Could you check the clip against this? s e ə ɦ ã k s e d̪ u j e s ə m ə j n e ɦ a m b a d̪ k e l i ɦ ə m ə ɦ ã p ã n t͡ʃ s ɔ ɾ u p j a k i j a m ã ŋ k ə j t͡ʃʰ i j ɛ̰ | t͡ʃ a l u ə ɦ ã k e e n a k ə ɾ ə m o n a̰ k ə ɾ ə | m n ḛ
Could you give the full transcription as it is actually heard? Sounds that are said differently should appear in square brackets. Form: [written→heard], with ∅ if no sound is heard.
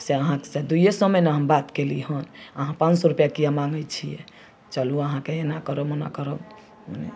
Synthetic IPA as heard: s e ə ɦ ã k s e d̪ u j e s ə m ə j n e ɦ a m b a [d̪→t̪] k e l i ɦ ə [m→n] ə ɦ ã p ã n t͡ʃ s ɔ ɾ u p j a k i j a m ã ŋ [k→ɡ] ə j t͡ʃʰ i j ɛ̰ | t͡ʃ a l u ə ɦ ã k e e n a k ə ɾ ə m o n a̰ k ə ɾ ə | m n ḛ